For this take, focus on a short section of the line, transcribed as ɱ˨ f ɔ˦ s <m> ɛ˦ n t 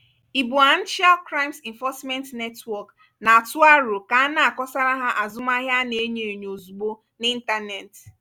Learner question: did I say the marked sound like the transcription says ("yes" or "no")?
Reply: yes